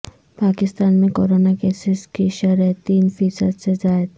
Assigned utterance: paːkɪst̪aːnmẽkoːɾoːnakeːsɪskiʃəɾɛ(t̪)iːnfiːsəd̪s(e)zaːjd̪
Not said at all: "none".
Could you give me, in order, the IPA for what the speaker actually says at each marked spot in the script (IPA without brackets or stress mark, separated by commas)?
t̪, e